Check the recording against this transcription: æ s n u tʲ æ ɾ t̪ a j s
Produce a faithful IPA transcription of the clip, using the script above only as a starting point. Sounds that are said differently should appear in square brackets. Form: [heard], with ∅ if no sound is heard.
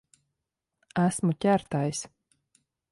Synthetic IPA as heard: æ s [m] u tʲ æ ɾ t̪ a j s